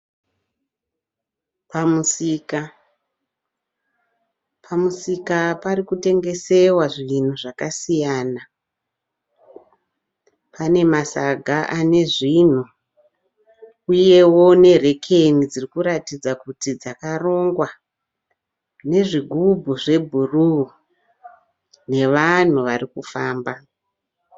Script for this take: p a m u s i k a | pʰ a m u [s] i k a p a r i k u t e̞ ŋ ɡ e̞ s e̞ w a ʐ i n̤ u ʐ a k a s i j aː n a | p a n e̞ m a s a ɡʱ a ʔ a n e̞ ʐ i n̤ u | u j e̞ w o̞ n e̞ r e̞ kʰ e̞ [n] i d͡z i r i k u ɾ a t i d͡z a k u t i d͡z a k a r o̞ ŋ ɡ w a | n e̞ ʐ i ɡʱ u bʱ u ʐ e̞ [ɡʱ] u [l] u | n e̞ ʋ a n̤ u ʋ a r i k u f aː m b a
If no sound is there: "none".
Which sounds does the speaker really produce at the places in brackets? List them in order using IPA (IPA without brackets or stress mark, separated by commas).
s, n, bʱ, r